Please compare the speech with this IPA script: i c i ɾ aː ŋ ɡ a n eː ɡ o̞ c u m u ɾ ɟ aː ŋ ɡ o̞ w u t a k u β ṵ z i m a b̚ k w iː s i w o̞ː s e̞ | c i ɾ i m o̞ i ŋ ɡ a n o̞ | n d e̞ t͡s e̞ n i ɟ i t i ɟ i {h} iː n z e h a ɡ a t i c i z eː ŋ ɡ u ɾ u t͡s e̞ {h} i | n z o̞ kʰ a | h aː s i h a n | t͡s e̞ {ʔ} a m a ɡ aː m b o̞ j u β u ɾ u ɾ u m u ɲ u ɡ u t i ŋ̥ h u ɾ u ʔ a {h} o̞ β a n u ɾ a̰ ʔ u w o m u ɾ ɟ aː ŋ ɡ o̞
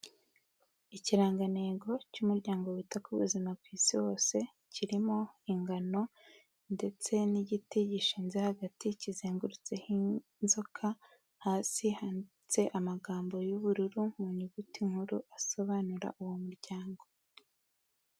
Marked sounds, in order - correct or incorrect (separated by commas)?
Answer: incorrect, correct, correct, incorrect